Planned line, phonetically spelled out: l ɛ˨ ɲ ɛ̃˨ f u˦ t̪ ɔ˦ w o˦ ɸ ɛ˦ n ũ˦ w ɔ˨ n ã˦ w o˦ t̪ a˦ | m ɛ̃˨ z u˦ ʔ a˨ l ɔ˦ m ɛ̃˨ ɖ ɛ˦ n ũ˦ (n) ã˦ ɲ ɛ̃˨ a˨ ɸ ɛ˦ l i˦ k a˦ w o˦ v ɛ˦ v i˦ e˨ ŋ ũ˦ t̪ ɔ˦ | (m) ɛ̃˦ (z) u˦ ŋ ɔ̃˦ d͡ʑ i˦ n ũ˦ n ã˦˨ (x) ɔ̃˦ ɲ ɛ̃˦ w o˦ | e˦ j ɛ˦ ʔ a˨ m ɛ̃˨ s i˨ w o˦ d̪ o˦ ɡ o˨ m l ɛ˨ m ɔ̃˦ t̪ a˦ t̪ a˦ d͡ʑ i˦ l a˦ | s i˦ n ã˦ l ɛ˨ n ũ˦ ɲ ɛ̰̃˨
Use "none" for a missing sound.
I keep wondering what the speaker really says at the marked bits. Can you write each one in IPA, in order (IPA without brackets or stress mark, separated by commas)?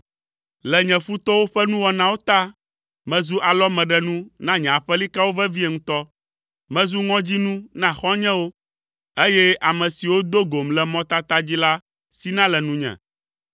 n, m, z, x